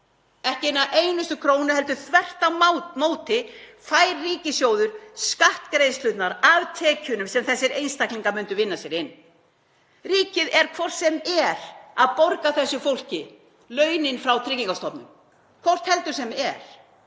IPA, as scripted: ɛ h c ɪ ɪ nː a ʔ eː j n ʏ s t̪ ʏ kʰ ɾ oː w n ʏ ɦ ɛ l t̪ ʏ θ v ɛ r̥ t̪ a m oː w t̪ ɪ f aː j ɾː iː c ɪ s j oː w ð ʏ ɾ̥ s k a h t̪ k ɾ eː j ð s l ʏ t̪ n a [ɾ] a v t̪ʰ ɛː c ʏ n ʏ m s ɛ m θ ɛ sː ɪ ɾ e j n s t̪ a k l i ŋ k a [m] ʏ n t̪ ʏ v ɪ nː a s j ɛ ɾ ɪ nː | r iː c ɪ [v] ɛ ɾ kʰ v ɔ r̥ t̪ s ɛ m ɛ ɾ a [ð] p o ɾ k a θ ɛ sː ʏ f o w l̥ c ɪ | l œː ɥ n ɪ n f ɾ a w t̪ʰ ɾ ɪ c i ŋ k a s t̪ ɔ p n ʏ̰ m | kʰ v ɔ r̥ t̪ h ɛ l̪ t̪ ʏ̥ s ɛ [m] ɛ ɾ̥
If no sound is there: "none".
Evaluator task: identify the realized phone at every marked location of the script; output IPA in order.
ɾ, m, ð, ð, m

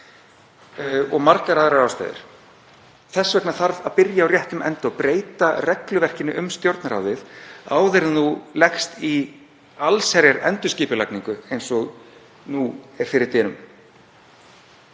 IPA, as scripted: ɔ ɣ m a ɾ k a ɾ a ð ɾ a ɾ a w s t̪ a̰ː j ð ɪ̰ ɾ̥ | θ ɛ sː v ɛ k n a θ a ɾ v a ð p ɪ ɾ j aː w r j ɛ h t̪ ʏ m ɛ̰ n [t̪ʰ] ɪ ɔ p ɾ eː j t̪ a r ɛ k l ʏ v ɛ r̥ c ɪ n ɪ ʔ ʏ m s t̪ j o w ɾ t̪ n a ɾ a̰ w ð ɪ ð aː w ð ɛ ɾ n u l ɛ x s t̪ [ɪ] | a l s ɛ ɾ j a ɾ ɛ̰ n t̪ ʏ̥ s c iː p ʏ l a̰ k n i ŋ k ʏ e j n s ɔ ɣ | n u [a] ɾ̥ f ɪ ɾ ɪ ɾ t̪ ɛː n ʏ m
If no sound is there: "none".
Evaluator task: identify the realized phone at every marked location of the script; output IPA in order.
t̪, i, ɛ

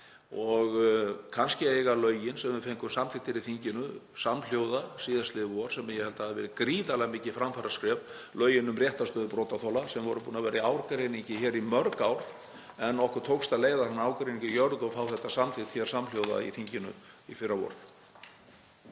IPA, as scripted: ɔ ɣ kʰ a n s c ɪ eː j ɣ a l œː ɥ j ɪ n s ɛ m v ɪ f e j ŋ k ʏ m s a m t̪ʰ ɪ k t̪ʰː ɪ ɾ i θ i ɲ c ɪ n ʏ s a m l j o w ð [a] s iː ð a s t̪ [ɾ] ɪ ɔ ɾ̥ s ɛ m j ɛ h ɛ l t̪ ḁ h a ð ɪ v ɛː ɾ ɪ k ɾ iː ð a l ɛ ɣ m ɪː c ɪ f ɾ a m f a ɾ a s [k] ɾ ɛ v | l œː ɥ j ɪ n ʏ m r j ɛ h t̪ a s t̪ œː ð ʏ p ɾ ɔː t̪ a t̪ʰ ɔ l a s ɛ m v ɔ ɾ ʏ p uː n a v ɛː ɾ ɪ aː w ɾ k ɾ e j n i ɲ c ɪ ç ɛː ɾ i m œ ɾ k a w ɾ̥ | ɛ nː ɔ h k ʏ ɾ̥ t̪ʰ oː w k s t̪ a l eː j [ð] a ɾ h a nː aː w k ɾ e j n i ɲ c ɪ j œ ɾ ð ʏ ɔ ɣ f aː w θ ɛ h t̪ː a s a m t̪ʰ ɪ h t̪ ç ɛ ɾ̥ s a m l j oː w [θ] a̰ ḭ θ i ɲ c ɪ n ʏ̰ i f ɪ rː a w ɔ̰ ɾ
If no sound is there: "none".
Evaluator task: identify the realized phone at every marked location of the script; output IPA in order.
a, l, k, ð, ð

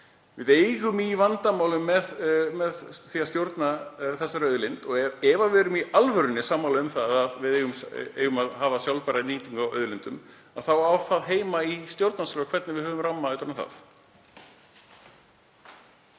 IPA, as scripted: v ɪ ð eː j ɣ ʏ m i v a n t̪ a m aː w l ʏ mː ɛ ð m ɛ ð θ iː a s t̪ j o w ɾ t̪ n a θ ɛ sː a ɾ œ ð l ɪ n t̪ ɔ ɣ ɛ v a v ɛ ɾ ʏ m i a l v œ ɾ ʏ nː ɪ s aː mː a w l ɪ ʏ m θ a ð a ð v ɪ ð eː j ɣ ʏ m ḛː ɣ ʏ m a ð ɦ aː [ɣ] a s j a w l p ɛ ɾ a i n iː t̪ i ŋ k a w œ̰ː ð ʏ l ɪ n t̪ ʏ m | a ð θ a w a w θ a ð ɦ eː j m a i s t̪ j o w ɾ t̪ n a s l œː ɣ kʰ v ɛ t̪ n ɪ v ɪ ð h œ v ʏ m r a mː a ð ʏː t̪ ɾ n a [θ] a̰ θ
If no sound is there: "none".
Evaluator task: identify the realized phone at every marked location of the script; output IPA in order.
v, θ

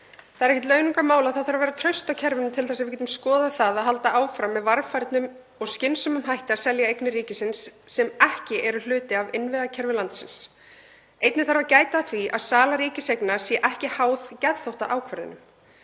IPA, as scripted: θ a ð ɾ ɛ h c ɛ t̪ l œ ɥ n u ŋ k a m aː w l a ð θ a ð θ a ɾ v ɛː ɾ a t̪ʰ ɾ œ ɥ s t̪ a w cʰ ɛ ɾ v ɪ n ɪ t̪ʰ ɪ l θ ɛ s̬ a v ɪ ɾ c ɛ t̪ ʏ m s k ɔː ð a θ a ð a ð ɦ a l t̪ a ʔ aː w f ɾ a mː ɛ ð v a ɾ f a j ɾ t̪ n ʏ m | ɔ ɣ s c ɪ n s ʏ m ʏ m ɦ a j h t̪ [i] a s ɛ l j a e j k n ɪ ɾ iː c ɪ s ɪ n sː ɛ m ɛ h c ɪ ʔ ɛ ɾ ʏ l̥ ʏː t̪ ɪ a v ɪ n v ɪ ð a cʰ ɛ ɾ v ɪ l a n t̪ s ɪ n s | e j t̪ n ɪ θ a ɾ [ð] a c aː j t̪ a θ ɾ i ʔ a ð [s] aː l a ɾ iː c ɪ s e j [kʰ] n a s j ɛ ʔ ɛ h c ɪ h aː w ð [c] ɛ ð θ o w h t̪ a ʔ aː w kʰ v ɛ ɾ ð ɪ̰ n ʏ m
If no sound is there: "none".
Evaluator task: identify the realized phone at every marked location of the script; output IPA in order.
ɪ, v, s, k, c

